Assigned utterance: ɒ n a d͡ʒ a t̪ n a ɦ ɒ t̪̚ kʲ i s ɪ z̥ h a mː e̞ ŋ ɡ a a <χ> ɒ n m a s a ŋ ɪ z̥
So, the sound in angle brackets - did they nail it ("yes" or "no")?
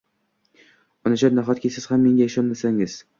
no